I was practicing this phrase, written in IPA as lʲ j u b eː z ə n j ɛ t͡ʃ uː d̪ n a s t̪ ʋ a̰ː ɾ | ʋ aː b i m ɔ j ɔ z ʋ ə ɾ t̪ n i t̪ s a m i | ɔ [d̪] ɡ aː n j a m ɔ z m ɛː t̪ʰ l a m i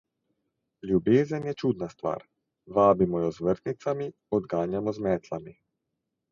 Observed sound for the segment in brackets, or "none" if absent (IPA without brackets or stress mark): d̪